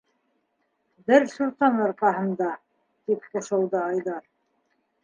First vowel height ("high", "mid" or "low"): mid